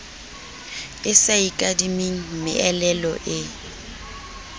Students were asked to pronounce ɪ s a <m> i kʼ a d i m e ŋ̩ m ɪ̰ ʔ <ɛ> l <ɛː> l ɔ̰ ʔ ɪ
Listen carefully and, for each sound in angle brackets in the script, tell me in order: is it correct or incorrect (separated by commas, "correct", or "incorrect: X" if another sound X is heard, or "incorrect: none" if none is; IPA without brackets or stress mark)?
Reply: incorrect: none, correct, incorrect: ɛ